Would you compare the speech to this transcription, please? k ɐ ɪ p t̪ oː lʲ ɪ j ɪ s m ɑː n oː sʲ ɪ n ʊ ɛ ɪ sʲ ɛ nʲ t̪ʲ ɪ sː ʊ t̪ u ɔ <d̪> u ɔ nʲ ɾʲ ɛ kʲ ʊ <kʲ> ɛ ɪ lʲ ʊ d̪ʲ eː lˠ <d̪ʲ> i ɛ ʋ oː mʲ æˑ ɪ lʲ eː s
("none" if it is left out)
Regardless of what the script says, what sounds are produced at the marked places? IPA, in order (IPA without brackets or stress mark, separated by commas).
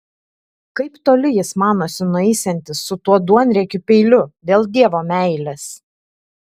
d̪, pʲ, d̪ʲ